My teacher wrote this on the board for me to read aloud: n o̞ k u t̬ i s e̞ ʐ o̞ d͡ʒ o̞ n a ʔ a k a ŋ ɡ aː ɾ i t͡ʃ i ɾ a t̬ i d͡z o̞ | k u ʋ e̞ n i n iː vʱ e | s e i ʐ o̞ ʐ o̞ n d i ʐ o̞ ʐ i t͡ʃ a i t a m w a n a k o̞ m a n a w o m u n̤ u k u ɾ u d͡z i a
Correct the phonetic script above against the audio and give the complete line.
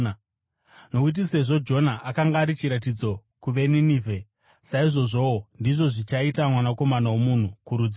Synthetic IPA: n o̞ k u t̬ i s e̞ ʐ o̞ d͡ʒ o̞ n a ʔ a k a ŋ ɡ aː ɾ i t͡ʃ i ɾ a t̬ i d͡z o̞ | k u ʋ e̞ n i n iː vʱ e | s a i ʐ o̞ ʐ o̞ n d i ʐ o̞ ʐ i t͡ʃ a i t a m w a n a k o̞ m a n a w o m u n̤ u k u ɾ u d͡z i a